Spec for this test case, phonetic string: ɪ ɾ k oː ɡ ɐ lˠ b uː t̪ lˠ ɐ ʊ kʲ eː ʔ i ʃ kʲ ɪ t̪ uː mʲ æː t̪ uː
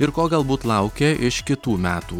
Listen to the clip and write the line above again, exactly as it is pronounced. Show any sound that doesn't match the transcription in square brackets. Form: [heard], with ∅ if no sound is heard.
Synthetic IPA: ɪ ɾ k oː ɡ ɐ lˠ b uː t̪ lˠ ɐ ʊ kʲ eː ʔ [ɪ] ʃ kʲ ɪ t̪ uː mʲ æː t̪ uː